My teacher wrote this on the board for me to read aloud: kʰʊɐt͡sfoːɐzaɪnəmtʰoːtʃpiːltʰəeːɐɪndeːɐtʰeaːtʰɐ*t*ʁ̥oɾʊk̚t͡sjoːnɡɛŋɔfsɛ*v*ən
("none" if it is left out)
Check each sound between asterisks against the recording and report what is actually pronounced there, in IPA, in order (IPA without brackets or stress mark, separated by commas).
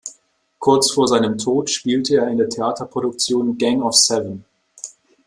p, v